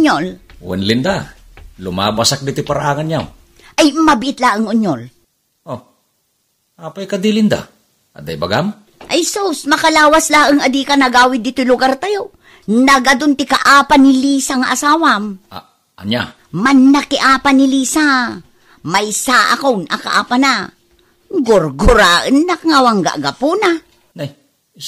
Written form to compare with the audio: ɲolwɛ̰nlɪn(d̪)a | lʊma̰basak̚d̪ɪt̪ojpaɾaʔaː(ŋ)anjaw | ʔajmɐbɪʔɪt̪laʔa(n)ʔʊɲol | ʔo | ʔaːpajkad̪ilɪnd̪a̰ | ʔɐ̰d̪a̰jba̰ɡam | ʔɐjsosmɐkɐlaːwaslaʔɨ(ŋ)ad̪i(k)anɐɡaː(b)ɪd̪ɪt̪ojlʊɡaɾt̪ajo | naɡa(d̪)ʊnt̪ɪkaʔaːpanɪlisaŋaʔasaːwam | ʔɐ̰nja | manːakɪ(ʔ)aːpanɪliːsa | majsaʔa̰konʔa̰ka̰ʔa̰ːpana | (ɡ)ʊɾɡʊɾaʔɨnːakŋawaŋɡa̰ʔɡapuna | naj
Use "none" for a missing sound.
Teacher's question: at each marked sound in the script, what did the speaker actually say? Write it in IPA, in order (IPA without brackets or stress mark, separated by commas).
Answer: d̪, ŋ, ŋ, ŋ, k, w, d̪, ʔ, ɡ